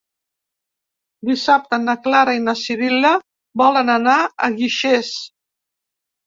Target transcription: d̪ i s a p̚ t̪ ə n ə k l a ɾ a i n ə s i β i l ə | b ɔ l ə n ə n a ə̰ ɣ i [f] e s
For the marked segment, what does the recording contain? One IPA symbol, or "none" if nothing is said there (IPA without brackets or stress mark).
ʃ